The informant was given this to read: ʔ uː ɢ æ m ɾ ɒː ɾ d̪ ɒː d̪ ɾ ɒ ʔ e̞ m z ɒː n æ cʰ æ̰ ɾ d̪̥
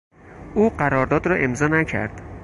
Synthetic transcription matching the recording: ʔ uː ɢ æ ɾ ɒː ɾ d̪ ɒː d̪ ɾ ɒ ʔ e̞ m z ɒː n æ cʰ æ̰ ɾ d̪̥